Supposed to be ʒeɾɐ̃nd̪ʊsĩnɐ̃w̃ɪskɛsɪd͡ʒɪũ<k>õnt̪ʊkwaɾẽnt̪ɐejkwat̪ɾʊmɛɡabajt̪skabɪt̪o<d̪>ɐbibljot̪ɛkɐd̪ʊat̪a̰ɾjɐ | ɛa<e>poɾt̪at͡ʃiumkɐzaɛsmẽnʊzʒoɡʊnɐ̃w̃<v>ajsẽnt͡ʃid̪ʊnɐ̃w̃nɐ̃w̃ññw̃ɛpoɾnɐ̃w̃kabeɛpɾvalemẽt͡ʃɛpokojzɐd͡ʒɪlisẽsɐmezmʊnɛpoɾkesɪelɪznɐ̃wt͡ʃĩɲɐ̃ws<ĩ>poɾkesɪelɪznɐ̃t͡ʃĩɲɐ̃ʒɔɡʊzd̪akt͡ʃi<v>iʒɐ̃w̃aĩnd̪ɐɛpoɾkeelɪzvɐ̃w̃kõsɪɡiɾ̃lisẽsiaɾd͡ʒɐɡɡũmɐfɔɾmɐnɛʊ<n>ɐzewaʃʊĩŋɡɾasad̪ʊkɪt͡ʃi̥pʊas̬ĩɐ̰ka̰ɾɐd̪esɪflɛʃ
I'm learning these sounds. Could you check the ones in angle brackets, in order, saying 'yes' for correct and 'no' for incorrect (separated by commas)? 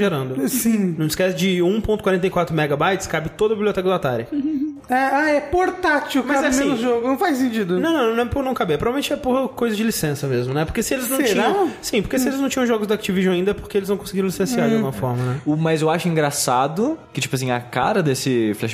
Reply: no, yes, no, no, yes, yes, no